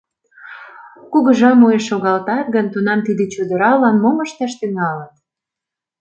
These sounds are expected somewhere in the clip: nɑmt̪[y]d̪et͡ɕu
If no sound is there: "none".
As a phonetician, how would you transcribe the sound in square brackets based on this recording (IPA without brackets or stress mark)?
i